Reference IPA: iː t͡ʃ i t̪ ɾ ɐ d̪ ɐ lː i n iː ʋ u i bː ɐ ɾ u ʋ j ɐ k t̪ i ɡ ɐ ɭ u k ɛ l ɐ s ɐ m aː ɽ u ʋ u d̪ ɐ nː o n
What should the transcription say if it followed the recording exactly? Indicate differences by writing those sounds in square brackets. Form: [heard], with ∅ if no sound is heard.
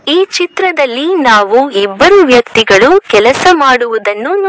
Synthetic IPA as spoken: iː t͡ʃ i t̪ ɾ ɐ d̪ ɐ lː i n [aː] ʋ u i bː ɐ ɾ u ʋ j ɐ k t̪ i ɡ ɐ ɭ u k ɛ l ɐ s ɐ m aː ɽ u ʋ u d̪ ɐ nː [u] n